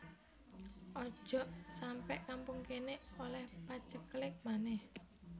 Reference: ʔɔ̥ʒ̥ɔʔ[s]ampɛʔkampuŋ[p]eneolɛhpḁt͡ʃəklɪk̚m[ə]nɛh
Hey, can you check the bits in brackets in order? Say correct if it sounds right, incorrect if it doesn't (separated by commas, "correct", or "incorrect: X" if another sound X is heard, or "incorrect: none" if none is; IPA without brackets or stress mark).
correct, incorrect: k, incorrect: a